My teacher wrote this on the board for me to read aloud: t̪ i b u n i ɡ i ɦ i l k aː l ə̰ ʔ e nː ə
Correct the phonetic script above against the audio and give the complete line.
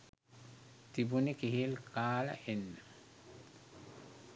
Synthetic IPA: t̪ i b u n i k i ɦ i l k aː l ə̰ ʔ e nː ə